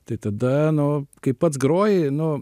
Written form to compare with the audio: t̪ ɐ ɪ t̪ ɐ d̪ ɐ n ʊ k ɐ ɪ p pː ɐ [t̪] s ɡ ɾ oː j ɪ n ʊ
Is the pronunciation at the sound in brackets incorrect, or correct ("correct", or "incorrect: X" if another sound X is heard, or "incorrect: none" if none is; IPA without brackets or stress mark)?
correct